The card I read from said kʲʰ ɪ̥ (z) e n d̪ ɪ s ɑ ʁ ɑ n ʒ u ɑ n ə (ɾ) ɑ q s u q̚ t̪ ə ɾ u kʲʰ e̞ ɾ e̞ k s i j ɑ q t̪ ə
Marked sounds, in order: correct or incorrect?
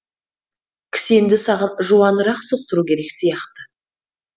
incorrect: s, correct

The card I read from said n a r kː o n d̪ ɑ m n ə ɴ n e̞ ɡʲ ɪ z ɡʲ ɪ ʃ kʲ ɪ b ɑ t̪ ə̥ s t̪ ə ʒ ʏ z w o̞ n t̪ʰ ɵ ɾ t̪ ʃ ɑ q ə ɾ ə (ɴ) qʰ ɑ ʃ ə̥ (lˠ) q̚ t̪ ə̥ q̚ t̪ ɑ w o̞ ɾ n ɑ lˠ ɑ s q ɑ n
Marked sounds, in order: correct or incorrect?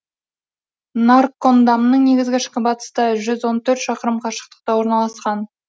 incorrect: m, incorrect: none

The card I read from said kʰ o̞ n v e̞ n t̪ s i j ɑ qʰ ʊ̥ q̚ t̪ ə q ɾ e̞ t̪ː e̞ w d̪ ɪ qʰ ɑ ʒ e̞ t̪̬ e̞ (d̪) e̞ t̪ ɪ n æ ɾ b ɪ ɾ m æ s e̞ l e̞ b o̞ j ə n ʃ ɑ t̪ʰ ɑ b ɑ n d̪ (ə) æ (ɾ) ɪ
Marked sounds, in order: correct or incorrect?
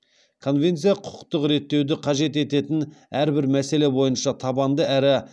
incorrect: t̪, correct, correct

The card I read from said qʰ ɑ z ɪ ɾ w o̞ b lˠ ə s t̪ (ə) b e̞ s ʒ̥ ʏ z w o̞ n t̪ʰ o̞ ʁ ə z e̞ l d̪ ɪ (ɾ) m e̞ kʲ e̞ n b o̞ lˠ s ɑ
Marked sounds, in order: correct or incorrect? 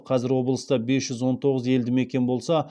incorrect: ɑ, incorrect: none

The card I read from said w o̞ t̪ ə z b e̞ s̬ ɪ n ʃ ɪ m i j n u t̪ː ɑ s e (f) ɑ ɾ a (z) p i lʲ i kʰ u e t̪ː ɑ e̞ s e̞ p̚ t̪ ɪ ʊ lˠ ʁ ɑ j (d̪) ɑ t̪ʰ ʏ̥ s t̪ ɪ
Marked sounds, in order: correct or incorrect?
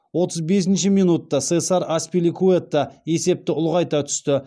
incorrect: s, incorrect: s, incorrect: t̪

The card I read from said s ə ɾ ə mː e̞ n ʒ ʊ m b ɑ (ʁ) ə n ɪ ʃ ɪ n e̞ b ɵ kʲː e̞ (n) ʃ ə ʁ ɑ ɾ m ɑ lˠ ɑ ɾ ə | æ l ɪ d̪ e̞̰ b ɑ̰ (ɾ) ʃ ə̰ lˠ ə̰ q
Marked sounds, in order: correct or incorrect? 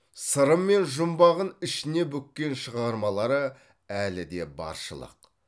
correct, correct, correct

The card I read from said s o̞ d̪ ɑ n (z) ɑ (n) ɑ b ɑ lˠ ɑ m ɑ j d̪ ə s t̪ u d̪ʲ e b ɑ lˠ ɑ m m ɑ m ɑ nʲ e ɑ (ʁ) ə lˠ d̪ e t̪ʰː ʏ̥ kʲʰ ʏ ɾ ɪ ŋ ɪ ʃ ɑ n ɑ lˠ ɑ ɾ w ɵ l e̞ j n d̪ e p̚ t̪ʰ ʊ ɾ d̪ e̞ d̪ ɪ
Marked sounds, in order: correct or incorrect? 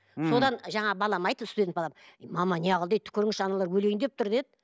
incorrect: ʒ, incorrect: ɴ, correct

